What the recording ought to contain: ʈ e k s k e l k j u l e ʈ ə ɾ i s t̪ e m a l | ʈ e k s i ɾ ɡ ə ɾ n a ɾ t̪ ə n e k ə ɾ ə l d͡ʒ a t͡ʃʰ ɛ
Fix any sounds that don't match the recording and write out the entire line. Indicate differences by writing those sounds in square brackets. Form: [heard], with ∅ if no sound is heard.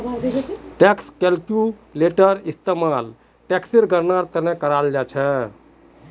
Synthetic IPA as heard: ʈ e k s k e l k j u l e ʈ ə ɾ i s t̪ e m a l | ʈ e k s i ɾ ɡ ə ɾ n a ɾ t̪ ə n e k ə ɾ [a] l d͡ʒ a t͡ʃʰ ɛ